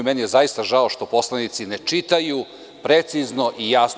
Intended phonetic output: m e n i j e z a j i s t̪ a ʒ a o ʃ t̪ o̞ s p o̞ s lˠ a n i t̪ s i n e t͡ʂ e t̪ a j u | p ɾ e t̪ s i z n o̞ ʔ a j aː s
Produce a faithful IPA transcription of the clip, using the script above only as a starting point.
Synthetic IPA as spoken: m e n i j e z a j i s t̪ a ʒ a o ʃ t̪ o̞ p o̞ s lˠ a n i t̪ s i n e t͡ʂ i t̪ a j u | p ɾ e t̪ s i z n o̞ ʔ i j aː s